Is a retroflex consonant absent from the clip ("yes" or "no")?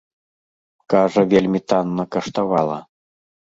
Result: no